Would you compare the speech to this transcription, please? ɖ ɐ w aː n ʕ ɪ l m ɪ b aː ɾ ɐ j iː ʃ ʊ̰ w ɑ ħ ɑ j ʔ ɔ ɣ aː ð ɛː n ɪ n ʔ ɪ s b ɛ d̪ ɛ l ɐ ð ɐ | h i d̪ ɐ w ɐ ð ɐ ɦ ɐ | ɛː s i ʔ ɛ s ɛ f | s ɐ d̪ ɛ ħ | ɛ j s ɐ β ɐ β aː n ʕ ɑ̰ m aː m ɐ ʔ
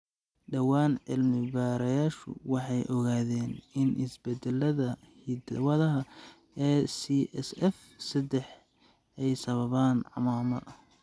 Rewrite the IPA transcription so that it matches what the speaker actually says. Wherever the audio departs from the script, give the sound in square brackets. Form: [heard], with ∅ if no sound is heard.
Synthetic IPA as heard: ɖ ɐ w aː n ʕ ɪ l m ɪ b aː ɾ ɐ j [aː] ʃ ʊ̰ w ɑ ħ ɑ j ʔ ɔ ɣ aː ð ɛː n ɪ n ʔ ɪ s b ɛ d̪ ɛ l ɐ ð ɐ | h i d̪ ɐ w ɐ ð ɐ ɦ ɐ | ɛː s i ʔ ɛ s ɛ f | s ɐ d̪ ɛ ħ | ɛ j s ɐ β ɐ β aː n ʕ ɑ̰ m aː m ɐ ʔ